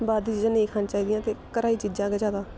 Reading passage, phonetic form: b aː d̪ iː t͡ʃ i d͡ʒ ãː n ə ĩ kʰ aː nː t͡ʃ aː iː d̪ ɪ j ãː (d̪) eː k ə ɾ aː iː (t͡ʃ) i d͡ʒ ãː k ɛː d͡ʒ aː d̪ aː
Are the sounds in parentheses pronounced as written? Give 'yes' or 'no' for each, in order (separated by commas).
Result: no, yes